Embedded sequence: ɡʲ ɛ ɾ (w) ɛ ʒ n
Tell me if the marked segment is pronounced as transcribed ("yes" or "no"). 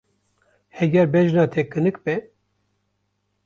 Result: no